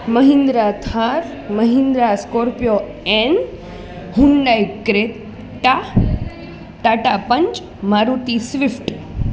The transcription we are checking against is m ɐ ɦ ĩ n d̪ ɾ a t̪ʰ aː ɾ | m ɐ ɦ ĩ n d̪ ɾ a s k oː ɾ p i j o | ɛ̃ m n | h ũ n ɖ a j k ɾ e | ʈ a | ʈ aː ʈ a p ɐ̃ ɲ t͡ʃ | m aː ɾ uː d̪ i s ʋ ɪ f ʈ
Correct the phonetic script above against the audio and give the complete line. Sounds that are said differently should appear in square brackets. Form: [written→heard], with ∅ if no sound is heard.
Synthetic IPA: m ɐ ɦ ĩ n d̪ ɾ a t̪ʰ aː ɾ | m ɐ ɦ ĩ n d̪ ɾ a s k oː ɾ p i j o | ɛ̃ [m→∅] n | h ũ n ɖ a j k ɾ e | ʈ a | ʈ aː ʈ a p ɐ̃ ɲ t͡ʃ | m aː ɾ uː [d̪→t̪] i s ʋ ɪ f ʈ